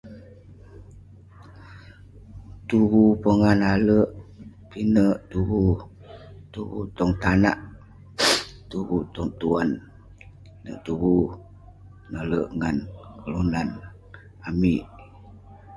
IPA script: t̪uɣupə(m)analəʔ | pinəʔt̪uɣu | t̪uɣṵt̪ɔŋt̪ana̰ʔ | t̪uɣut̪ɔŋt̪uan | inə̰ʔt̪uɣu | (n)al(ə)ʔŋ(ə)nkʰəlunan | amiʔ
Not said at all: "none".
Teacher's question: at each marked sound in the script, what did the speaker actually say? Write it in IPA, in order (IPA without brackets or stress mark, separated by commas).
ŋ, n, ə, a